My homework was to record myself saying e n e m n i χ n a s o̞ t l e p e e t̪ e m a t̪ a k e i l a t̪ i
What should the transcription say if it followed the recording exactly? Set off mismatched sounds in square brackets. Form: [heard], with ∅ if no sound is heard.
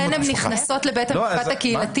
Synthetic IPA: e n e m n i χ n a s o̞ t l e [b] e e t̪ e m a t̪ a k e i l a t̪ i

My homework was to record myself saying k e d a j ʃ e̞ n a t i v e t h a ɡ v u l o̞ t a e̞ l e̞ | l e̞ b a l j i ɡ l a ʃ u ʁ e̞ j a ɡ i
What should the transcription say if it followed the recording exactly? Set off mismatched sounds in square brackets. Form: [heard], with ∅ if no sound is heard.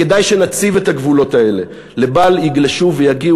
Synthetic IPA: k e d a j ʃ e̞ n a [t͡s] i v e t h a ɡ v u l o̞ t a e̞ l e̞ | l e̞ b a l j i ɡ l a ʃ u [v] e̞ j a ɡ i

